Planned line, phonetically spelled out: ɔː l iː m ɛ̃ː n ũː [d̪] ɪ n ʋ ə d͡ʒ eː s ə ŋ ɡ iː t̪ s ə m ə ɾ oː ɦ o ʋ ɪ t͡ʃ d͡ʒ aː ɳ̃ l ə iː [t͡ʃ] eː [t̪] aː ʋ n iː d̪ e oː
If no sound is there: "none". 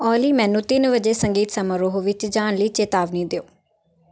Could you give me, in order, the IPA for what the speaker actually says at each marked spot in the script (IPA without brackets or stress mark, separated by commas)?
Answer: t̪, t͡ʃ, t̪